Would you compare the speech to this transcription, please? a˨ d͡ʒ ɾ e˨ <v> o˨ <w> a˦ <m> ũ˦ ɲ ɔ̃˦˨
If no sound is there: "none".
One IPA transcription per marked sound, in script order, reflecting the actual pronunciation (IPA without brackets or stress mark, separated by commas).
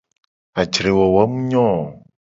w, w, m